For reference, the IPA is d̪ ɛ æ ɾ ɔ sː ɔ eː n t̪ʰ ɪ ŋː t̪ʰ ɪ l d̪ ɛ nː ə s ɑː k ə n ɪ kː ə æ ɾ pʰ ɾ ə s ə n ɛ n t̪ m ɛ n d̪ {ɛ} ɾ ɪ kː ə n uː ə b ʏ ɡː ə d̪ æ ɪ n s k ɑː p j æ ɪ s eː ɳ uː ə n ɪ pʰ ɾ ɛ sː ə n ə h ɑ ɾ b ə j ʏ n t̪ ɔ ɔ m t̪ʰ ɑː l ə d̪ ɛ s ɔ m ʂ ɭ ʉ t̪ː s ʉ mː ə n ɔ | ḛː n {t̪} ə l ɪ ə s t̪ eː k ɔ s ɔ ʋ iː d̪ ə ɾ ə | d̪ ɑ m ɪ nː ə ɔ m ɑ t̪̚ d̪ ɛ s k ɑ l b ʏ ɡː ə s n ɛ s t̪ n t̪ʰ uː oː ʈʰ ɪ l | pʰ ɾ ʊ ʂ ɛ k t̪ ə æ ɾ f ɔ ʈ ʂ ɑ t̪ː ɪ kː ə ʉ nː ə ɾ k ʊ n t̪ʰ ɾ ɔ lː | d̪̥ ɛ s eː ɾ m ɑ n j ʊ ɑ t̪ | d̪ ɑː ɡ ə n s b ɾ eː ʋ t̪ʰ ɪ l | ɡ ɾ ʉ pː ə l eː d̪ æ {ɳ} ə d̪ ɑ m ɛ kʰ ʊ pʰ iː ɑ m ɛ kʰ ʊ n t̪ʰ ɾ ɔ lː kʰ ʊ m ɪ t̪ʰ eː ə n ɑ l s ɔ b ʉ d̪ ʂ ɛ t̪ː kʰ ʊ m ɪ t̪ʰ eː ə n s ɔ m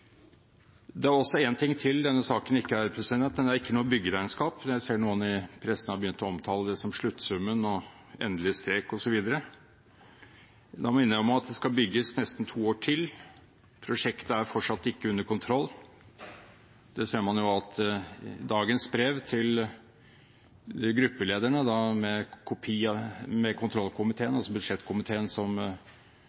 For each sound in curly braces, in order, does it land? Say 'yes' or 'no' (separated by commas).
no, no, yes